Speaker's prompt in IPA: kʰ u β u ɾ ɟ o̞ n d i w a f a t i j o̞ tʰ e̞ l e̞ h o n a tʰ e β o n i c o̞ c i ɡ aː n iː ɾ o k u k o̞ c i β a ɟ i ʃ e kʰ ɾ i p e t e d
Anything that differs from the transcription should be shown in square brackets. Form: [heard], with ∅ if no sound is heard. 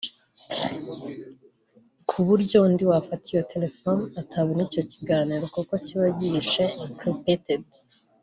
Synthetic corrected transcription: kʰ u β u ɾ ɟ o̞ n d i w a f a t i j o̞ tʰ e̞ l e̞ [f] o n a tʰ [a] β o n i c o̞ c i ɡ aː n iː ɾ o k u k o̞ c i β a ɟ i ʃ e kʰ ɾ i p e t e d